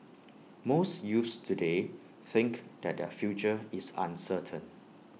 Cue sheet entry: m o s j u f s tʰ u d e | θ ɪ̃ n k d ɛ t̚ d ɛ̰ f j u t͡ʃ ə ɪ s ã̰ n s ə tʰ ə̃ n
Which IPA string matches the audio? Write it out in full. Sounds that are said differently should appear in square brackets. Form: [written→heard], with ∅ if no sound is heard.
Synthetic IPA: m o s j u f s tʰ u d e | θ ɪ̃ [n→ŋ] k d ɛ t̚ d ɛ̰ f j u t͡ʃ ə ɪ s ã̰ n s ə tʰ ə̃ n